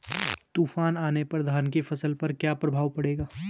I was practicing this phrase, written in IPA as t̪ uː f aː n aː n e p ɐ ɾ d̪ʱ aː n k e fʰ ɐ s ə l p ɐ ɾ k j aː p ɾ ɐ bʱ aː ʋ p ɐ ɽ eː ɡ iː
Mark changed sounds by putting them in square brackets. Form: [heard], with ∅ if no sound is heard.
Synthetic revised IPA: t̪ uː f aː n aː n e p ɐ ɾ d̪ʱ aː n k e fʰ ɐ s ə l p ɐ ɾ k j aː p ɾ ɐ bʱ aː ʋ p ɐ ɽ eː ɡ [aː]